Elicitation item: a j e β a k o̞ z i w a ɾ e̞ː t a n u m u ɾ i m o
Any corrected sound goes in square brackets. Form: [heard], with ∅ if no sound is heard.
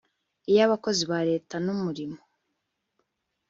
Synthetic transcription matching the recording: [i] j [a] β a k o̞ z i [β] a ɾ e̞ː t a n u m u ɾ i m o